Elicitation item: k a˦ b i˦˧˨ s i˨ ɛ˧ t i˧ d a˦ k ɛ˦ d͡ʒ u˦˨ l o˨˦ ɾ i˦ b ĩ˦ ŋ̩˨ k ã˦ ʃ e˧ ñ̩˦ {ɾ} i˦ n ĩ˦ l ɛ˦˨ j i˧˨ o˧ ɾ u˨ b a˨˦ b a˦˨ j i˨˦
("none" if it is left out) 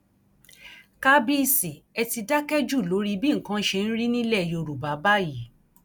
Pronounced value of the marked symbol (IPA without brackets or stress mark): ɾ